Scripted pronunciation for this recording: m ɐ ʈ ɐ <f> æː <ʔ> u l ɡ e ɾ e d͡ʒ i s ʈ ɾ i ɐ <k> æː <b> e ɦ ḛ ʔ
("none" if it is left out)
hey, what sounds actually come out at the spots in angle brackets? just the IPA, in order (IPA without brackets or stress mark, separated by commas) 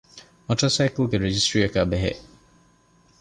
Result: s, k, k, b